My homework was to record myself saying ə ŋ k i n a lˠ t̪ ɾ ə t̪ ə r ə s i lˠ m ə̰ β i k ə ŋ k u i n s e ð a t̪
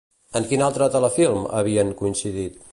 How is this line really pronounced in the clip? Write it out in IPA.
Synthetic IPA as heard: ə ŋ k i n a lˠ t̪ ɾ ə t̪ ə l ə f i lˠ m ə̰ β i ə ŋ k u i n s i ð i t̪